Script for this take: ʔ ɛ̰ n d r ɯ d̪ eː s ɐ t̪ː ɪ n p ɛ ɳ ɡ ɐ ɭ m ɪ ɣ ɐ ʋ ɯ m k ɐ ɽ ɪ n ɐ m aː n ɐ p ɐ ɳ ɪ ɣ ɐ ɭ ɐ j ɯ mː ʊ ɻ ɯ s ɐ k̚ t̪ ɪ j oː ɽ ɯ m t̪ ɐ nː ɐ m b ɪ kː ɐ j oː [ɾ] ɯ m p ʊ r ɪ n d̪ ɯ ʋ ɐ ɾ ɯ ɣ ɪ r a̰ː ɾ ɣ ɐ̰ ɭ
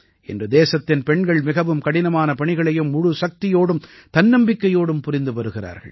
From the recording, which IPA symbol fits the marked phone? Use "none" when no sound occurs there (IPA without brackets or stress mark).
ɽ